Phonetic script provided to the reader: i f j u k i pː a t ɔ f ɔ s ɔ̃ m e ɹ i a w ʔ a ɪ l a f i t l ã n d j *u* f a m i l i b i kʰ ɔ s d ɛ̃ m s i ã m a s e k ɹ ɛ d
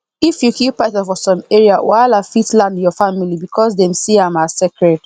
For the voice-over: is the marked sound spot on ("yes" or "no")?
no